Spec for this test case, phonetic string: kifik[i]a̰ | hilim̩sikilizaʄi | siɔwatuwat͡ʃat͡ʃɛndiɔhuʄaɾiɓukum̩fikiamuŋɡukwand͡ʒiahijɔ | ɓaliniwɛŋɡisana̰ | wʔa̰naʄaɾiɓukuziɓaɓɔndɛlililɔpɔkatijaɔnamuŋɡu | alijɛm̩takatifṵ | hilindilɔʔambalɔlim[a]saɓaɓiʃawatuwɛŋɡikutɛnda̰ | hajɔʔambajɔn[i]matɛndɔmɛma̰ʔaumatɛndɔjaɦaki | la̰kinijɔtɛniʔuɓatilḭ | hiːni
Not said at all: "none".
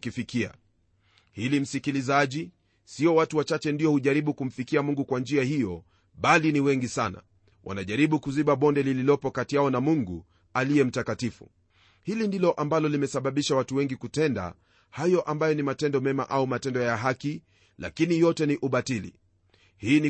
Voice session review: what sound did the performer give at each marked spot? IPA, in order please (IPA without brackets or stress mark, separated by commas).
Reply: i, ɛ, i